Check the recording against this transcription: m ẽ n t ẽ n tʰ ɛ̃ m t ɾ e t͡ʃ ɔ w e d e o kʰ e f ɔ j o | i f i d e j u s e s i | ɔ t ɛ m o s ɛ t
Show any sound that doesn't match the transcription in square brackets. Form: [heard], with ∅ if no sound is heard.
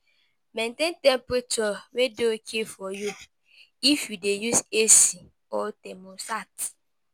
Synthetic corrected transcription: m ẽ n t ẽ n [t] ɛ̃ m [p] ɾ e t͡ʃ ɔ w e d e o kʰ e f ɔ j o | i f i d e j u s e s i | ɔ t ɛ m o s [a] t